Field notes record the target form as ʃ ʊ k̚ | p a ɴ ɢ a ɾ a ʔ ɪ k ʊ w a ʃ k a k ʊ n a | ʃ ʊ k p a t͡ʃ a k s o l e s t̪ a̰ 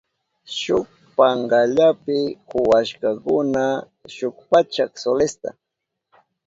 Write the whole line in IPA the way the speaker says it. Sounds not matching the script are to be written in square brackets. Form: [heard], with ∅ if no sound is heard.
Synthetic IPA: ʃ ʊ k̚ | p a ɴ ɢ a [ʎ] a [p] ɪ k ʊ w a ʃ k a k ʊ n a | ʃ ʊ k p a t͡ʃ a k s o l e s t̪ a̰